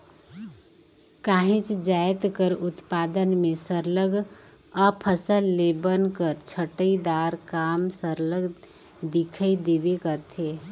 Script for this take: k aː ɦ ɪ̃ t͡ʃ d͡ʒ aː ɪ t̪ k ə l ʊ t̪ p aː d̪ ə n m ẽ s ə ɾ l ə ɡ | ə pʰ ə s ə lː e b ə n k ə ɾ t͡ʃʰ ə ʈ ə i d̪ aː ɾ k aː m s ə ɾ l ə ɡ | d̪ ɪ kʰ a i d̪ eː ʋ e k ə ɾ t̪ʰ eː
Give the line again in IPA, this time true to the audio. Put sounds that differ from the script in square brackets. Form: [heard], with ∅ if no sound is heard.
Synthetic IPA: k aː ɦ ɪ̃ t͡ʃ d͡ʒ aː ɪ t̪ k ə [ɾ] ʊ t̪ p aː d̪ ə n m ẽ s ə ɾ l ə ɡ | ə pʰ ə s ə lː e b ə n k ə ɾ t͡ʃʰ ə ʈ ə i d̪ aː ɾ k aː m s ə ɾ l ə ɡ | d̪ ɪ kʰ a i d̪ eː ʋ e k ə ɾ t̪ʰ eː